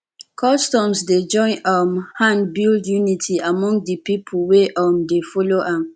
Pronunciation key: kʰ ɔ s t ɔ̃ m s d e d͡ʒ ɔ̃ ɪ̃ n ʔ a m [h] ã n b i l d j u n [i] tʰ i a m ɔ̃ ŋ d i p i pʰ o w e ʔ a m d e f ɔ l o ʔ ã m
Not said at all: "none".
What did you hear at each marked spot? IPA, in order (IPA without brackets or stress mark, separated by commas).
h, i